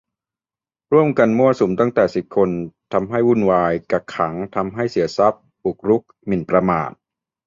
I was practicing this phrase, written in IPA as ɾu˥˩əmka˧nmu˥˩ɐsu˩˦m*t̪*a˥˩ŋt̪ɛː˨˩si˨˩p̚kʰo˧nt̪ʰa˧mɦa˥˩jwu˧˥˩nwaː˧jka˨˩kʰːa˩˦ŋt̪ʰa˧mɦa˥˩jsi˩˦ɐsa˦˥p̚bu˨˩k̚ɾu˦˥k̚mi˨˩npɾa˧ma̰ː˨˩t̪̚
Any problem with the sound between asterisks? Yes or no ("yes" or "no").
no